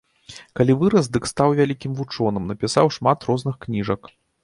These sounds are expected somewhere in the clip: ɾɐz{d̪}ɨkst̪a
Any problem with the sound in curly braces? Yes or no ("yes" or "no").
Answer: no